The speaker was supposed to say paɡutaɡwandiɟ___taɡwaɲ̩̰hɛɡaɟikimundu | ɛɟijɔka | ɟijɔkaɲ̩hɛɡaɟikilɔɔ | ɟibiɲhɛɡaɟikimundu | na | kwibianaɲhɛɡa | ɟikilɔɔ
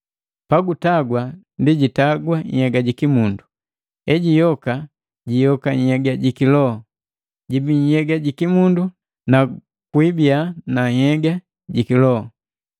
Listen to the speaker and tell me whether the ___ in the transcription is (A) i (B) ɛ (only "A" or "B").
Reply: A